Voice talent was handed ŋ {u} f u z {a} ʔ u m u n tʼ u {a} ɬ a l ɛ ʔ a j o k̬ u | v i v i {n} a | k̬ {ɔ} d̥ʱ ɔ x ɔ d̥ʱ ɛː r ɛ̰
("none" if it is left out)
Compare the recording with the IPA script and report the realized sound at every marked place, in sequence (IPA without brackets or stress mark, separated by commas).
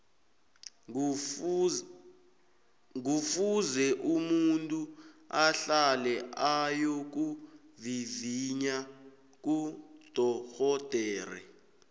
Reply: u, ɛ, a, ɲ, u